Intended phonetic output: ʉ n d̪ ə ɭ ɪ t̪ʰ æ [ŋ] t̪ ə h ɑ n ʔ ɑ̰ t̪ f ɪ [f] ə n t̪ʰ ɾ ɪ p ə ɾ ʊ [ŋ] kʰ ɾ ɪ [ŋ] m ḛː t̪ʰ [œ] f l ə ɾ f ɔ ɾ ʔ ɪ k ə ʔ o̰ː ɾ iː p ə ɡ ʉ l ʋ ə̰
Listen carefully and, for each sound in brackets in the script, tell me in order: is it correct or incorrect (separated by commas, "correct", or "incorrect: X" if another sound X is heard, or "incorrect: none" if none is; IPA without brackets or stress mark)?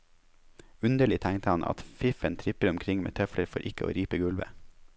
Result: correct, correct, incorrect: m, correct, correct